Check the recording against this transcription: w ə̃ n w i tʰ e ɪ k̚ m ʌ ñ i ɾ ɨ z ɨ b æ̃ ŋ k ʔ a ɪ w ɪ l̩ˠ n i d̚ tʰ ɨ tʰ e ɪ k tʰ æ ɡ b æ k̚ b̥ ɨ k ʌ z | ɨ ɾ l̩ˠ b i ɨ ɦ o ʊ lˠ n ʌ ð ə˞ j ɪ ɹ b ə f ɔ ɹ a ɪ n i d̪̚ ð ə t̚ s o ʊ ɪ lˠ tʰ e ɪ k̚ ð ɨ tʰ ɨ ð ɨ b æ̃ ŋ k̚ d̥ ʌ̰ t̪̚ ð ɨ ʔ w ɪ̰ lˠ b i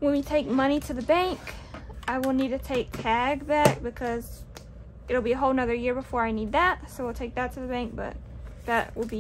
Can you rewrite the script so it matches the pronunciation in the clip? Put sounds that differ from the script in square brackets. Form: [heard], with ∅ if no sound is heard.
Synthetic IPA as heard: w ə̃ n w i tʰ e ɪ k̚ m ʌ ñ i ɾ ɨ [ð] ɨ b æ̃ ŋ k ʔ a ɪ w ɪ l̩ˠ n i d̚ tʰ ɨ tʰ e ɪ k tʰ æ ɡ b æ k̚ b̥ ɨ [kʰ] ʌ z | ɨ ɾ l̩ˠ b i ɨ ɦ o ʊ lˠ n ʌ ð ə˞ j ɪ ɹ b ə f ɔ ɹ a ɪ n i d̪̚ ð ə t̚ s o ʊ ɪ lˠ tʰ e ɪ k̚ ð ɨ tʰ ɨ ð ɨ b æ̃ ŋ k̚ [b̥] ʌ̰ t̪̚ ð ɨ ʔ w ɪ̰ lˠ b i

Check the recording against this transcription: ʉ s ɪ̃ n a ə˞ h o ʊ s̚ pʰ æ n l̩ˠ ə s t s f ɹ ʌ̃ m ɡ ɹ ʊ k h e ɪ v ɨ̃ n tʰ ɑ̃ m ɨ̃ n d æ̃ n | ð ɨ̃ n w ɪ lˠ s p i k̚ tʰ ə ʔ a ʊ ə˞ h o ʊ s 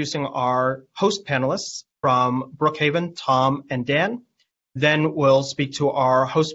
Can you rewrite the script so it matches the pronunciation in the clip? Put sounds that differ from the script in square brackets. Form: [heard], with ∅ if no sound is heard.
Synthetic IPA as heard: ʉ s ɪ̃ [ŋ] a ə˞ h o ʊ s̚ pʰ æ n l̩ˠ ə s t s f ɹ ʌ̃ m [b] ɹ ʊ k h e ɪ v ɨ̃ n tʰ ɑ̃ m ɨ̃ n d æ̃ n | ð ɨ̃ n w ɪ lˠ s p i k̚ tʰ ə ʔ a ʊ ə˞ h o ʊ s

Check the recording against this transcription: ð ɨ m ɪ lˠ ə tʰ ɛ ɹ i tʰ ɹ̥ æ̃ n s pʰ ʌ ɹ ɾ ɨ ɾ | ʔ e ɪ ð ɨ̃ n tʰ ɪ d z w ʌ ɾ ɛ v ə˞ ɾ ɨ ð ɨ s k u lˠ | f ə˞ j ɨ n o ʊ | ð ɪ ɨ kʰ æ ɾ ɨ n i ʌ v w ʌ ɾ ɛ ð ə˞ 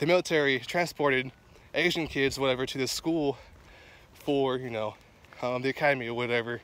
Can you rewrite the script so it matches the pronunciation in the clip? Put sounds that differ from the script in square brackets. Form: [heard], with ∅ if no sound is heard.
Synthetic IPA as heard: ð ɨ m ɪ lˠ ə tʰ ɛ ɹ i tʰ ɹ̥ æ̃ n s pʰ [ɔ] ɹ ɾ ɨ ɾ | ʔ e ɪ [ʒ] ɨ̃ n [kʰ] ɪ d z w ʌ ɾ ɛ v ə˞ ɾ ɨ ð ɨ s k u lˠ | f ə˞ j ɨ n o ʊ | ð [i] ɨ kʰ æ ɾ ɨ [m] i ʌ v w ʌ ɾ ɛ [v] ə˞

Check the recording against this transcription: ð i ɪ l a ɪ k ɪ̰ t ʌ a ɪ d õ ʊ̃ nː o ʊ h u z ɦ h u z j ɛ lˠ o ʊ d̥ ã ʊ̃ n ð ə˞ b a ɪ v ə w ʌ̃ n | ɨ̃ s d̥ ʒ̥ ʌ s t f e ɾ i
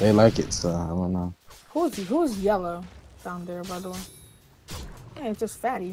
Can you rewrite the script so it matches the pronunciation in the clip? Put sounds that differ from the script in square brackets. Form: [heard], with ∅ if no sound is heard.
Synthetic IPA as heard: ð [e] ɪ l a ɪ k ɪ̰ t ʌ a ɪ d õ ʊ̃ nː o ʊ h u z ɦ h u z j ɛ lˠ o ʊ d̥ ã ʊ̃ n ð ə˞ b a ɪ [ð] ə w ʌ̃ n | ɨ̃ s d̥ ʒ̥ ʌ s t f [æ] ɾ i

